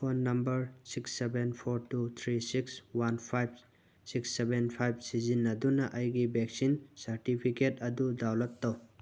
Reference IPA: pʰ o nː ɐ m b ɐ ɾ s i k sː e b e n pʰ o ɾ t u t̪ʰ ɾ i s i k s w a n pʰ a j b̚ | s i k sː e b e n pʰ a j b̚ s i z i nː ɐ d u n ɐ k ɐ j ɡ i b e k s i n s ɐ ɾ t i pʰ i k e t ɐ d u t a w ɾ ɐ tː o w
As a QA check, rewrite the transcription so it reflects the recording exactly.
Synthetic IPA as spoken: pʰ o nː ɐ m b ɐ ɾ s i k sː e b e n pʰ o ɾ t u t̪ʰ ɾ i s i k s w a n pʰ a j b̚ | s i k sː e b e n pʰ a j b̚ s i z i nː ɐ d u n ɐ ʔ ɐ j ɡ i b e k s i n s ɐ ɾ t i pʰ i k e t ɐ d u d a w l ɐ tː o w